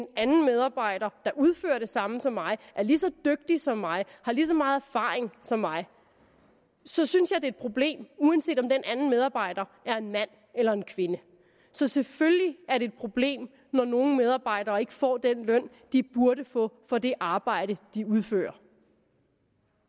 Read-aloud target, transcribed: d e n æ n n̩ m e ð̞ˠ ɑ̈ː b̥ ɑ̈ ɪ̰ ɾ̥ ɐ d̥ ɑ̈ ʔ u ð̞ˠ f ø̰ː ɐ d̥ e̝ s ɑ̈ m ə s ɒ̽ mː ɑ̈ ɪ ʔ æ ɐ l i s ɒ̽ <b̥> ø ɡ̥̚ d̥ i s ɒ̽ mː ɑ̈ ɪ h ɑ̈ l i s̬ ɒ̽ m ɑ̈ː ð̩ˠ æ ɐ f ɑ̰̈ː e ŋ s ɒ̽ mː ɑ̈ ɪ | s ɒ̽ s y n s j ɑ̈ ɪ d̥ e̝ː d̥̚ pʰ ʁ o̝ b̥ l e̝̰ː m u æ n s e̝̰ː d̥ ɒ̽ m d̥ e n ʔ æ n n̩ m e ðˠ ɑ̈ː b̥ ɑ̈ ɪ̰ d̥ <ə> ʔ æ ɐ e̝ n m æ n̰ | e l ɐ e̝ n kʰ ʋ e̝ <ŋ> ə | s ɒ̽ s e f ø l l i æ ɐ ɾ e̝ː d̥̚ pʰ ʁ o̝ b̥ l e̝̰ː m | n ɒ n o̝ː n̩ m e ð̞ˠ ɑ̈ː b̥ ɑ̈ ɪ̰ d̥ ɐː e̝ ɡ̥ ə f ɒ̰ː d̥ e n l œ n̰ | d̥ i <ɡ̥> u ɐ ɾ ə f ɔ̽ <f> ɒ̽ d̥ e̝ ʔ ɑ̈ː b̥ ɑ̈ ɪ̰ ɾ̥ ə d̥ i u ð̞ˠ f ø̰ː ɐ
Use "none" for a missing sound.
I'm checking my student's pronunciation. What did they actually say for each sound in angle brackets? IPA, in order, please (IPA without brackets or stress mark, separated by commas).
d̥, ɐ, n, b̥, f